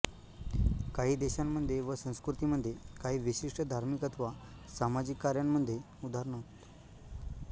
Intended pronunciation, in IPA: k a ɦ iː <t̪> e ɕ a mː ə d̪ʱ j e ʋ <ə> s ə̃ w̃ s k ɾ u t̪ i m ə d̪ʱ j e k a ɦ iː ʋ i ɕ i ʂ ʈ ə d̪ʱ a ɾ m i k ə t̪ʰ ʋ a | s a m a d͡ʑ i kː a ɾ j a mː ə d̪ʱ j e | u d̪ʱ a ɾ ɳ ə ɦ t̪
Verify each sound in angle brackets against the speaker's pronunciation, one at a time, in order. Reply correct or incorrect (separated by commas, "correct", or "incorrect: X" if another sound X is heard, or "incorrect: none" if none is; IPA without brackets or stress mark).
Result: incorrect: d̪, correct